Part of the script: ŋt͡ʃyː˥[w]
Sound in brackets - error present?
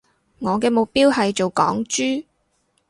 yes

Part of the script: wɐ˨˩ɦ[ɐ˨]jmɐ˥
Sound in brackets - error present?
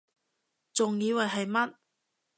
no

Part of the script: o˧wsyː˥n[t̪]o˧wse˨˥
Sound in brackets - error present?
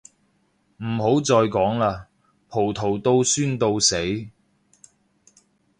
no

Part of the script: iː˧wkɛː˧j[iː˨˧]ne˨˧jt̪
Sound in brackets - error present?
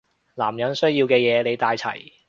yes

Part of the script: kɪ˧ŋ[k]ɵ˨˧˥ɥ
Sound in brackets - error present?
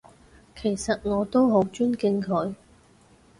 yes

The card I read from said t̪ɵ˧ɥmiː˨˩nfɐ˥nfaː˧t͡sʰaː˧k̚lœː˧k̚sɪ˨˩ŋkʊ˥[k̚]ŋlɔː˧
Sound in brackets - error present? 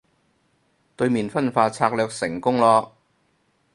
yes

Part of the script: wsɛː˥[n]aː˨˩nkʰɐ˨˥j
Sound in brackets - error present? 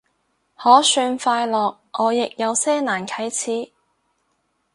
no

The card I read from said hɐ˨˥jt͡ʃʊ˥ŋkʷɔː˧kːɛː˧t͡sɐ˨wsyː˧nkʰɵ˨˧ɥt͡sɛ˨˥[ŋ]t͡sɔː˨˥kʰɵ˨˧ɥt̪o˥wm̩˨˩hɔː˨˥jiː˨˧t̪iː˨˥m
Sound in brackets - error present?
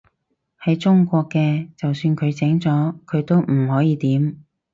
no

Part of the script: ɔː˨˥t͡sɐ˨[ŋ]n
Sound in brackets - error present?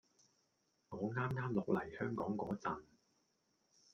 yes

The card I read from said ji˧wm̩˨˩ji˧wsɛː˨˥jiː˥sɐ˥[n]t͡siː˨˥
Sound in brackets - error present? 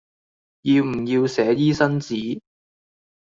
no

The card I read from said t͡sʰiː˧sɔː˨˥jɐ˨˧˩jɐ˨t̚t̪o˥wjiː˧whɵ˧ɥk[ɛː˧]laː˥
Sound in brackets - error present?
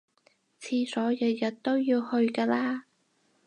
yes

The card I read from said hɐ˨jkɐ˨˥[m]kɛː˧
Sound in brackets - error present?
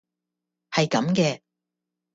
no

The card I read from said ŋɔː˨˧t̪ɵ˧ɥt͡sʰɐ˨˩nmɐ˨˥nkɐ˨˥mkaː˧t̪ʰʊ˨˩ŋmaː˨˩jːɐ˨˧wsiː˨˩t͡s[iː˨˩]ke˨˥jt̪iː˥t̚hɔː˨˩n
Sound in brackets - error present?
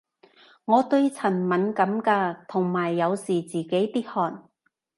no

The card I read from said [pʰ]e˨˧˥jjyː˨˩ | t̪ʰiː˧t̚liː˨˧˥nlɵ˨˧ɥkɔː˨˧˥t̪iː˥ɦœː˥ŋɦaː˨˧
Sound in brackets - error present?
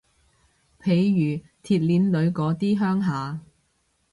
no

